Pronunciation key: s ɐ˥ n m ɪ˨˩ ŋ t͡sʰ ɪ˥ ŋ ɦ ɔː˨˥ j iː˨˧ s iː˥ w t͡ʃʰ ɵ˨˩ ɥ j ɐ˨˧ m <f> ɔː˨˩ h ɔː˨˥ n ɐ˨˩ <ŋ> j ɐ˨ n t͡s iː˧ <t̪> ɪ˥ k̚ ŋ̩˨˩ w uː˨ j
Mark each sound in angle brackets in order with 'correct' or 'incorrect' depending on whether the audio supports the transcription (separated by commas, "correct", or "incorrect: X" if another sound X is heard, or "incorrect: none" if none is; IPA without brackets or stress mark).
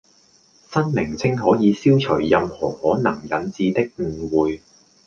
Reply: incorrect: h, correct, correct